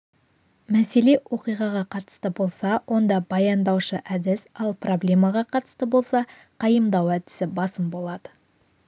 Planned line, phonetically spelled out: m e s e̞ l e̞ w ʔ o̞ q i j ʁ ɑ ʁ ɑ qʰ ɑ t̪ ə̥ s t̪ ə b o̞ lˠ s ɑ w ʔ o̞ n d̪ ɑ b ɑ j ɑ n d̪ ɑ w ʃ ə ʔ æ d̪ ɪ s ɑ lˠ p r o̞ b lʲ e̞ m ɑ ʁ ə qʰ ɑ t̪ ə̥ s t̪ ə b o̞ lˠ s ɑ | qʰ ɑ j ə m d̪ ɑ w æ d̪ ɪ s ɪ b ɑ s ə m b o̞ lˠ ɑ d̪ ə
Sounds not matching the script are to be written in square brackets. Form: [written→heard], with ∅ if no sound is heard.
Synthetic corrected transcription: m [e→æ] s e̞ l e̞ w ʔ o̞ q i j ʁ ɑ ʁ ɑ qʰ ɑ t̪ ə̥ s t̪ ə b o̞ lˠ s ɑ w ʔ o̞ n d̪ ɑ b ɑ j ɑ n d̪ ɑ w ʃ ə ʔ æ d̪ ɪ s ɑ lˠ p r o̞ b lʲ e̞ m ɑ ʁ [ə→ɑ] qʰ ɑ t̪ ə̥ s t̪ ə b o̞ lˠ s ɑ | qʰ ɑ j ə m d̪ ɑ w æ d̪ ɪ s ɪ b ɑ s ə m b o̞ lˠ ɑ d̪ ə